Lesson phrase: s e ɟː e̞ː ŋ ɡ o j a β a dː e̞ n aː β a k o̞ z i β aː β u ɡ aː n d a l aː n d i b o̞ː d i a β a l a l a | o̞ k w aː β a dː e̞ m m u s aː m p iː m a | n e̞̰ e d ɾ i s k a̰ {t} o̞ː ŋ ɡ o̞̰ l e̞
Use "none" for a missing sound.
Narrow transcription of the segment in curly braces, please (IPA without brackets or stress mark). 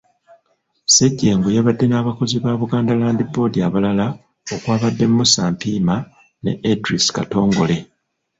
t